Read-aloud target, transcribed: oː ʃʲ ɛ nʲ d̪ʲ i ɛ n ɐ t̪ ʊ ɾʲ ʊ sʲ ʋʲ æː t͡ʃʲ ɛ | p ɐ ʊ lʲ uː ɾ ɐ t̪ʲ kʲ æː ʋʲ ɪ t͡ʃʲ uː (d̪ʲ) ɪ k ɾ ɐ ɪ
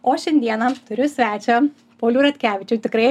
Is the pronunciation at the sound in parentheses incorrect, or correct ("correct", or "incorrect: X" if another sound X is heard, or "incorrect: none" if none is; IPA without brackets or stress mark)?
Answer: incorrect: t̪ʲ